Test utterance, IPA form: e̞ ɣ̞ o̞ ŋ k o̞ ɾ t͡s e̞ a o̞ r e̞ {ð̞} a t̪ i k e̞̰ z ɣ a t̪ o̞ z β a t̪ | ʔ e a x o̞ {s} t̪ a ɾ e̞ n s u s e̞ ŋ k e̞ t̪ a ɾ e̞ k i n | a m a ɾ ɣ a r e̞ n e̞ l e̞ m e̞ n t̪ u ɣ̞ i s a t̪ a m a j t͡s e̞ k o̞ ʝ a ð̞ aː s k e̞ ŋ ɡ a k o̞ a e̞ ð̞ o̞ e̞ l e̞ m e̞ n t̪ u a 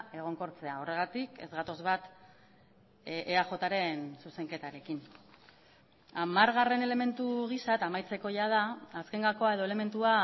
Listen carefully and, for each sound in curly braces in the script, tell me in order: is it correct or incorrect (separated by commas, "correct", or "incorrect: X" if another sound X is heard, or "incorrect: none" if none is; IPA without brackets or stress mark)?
incorrect: ɣ̞, incorrect: none